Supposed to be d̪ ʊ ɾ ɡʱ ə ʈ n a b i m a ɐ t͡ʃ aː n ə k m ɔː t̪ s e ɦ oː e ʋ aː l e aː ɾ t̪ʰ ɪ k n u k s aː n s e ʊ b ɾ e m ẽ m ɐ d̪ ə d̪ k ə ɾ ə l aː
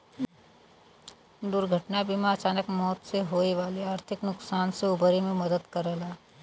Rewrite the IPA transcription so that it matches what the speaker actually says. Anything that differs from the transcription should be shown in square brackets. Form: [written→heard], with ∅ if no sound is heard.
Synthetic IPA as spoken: d̪ ʊ ɾ ɡʱ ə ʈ n a b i m a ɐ t͡ʃ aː n ə k m ɔː t̪ s e ɦ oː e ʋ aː l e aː ɾ t̪ʰ ɪ k n [u→ʊ] k s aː n s e ʊ b ɾ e m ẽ m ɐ d̪ ə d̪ k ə ɾ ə l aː